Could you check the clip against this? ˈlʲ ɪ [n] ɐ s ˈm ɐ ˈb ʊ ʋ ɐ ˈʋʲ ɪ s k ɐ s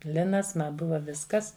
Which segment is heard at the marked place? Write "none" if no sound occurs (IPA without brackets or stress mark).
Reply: n